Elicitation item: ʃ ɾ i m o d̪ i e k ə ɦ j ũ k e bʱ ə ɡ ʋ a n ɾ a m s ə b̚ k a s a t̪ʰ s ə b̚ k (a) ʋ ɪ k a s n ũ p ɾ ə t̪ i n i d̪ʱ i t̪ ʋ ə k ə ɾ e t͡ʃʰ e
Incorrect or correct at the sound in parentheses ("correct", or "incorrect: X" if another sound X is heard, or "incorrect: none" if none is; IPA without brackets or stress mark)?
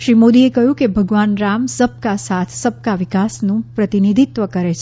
correct